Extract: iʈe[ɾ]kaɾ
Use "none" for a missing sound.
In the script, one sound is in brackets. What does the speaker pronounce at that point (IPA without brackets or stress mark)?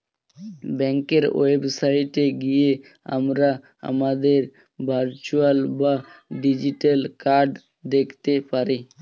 l